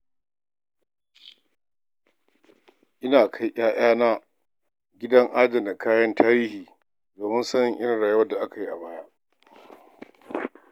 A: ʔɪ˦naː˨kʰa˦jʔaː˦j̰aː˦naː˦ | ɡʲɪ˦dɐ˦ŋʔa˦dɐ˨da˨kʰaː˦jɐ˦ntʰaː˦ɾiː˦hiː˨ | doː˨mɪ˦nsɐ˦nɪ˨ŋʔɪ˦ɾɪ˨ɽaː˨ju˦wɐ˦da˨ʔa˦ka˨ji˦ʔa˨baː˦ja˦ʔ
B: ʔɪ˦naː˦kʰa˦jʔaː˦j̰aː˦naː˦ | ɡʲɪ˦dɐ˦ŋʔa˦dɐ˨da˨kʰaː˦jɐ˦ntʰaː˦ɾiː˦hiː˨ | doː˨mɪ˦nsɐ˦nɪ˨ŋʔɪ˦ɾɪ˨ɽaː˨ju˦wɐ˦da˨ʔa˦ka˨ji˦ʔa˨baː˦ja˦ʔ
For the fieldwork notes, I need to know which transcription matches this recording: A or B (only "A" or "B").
A